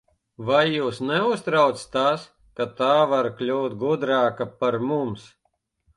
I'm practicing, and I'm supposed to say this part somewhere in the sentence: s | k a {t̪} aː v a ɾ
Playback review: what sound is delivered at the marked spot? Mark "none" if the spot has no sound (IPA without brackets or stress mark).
t̪